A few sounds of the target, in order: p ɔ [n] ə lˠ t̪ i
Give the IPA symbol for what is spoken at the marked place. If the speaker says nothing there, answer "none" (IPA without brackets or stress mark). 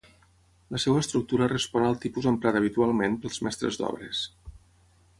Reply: n